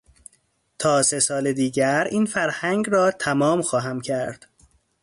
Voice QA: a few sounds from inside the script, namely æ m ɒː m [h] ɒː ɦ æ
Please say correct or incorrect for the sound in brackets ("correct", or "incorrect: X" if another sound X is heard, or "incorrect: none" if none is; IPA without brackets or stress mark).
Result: incorrect: x